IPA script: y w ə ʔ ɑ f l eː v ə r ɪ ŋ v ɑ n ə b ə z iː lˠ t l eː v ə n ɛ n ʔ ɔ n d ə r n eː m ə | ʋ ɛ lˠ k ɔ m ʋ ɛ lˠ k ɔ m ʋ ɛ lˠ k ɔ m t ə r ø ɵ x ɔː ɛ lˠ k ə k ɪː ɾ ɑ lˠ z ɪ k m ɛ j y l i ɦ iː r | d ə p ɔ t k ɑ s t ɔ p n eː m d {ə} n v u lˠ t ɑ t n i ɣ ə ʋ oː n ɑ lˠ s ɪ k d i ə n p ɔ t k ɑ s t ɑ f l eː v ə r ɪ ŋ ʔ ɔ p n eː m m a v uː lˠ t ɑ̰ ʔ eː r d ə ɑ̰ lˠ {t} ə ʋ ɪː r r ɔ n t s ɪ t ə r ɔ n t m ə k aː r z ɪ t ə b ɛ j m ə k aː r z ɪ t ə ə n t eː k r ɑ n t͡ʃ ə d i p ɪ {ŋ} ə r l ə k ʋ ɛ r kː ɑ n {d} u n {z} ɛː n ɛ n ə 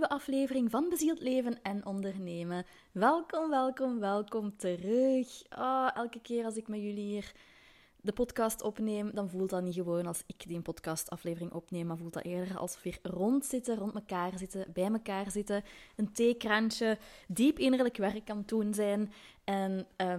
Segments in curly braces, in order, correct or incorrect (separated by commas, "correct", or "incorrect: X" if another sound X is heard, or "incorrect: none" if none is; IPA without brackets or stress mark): incorrect: ɑ, incorrect: s, incorrect: n, incorrect: t, correct